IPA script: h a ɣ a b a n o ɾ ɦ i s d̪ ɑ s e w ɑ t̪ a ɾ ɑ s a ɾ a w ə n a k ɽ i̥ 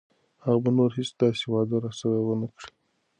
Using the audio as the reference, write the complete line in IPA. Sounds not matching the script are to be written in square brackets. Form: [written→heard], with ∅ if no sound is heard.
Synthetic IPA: h a ɣ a b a n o ɾ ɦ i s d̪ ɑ s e w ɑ [t̪→d̪] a ɾ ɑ s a ɾ a w ə n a k ɽ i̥